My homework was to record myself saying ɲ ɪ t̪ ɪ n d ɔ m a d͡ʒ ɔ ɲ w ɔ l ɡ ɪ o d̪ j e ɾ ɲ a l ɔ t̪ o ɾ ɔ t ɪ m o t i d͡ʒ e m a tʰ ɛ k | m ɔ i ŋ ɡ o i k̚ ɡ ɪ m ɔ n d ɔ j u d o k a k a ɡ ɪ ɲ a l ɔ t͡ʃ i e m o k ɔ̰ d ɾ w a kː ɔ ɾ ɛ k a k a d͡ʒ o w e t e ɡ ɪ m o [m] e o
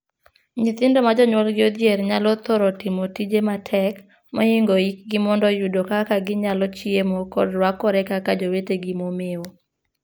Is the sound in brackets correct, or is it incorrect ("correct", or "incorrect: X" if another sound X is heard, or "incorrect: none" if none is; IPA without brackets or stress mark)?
correct